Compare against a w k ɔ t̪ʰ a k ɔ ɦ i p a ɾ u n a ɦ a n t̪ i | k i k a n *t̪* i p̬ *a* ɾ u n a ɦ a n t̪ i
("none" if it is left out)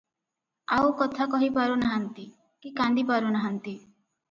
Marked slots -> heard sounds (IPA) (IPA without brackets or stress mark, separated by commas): d̪, a